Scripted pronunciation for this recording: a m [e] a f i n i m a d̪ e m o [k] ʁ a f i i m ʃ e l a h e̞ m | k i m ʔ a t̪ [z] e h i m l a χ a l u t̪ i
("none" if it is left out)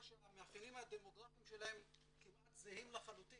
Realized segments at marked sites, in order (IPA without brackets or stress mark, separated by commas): e, ɡ, z